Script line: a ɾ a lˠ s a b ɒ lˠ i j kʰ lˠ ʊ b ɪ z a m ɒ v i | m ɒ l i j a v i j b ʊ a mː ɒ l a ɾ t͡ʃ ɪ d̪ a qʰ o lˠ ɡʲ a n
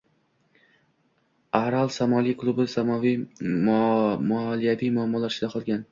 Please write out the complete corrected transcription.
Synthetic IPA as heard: a ɾ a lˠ s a m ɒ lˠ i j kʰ lˠ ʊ b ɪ s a m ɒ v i | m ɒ l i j a v i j m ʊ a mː ɒ l a ɾ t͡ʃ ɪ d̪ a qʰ ɒ lˠ ɡʲ a n